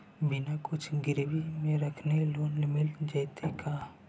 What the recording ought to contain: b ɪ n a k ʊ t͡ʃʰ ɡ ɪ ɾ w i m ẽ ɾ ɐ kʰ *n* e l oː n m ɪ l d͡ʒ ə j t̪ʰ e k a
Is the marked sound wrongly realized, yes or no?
no